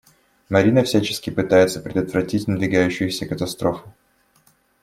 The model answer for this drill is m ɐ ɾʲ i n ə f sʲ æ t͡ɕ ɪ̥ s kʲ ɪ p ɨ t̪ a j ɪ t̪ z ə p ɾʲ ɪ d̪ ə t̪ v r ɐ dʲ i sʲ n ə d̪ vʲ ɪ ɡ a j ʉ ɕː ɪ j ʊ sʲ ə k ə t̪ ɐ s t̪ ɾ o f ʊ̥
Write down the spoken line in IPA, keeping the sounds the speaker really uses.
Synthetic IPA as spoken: m ɐ ɾʲ i n ə f sʲ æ t͡ɕ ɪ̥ s kʲ ɪ p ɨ t̪ a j ɪ t̪ s ə p ɾʲ ɪ d̪ ə t̪ v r ɐ tʲ i tʲ n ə d̪ vʲ ɪ ɡ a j ʉ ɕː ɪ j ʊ sʲ ə k ə t̪ ɐ s t̪ ɾ o f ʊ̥